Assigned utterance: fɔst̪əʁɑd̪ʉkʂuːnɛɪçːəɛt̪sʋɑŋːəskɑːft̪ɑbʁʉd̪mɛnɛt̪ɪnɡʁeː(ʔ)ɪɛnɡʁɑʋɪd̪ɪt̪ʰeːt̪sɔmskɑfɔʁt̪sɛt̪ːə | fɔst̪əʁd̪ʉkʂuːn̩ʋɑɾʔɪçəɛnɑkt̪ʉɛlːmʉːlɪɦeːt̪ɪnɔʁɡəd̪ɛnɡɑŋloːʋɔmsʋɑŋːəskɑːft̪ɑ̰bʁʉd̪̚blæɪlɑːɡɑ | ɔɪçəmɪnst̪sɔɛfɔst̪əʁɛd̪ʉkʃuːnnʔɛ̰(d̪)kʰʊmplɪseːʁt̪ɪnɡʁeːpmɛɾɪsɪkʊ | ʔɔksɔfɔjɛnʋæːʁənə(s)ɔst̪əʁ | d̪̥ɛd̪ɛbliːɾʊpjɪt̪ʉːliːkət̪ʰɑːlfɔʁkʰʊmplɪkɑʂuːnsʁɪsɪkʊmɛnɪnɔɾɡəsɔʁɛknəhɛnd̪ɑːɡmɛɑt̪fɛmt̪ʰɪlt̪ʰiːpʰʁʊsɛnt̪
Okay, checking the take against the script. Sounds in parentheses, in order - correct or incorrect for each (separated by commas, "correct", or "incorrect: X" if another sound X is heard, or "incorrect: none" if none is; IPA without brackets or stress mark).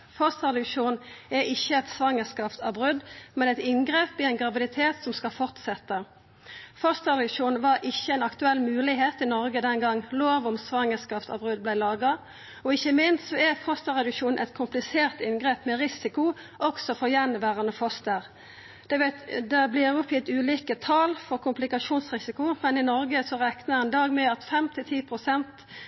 incorrect: p, incorrect: t̪, incorrect: f